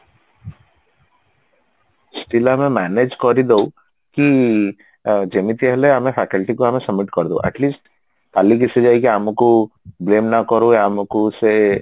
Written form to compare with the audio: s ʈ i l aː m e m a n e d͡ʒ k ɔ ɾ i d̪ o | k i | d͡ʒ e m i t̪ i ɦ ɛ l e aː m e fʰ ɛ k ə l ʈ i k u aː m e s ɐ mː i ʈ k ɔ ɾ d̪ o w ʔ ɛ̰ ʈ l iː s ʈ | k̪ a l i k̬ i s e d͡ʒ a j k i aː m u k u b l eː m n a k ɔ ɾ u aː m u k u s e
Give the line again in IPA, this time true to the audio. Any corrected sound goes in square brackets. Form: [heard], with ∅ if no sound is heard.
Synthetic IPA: s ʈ i l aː m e m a n e d͡ʒ k ɔ ɾ i d̪ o | k i | d͡ʒ e m i t̪ i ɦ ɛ l e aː m e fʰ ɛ k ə l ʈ i k u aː m e s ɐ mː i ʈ k ɔ ɾ d̪ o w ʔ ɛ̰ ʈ l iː s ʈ | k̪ a l i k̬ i s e d͡ʒ a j k i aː m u k u b l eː m n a k ɔ ɾ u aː m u k u s e